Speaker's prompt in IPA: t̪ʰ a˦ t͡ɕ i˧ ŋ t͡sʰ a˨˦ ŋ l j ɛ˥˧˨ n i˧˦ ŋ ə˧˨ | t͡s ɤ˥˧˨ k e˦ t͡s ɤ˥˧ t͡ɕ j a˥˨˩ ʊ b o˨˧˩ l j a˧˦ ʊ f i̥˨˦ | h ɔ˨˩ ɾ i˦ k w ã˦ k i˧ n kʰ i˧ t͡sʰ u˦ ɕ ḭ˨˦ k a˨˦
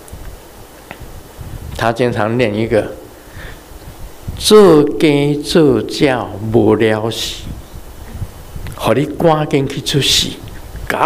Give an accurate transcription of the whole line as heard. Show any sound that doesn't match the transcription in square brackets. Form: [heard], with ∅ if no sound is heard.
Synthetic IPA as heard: t̪ʰ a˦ t͡ɕ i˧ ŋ t͡sʰ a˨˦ ŋ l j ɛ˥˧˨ n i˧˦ [ɡ] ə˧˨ | t͡s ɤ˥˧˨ k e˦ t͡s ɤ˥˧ t͡ɕ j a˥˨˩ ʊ b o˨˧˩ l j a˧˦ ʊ [ɕ] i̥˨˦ | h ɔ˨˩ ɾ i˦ k w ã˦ k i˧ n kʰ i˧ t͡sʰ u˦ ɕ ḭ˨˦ k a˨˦